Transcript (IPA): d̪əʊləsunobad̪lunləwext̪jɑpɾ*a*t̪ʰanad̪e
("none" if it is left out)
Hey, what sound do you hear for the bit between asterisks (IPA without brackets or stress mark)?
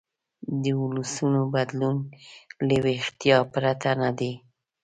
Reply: a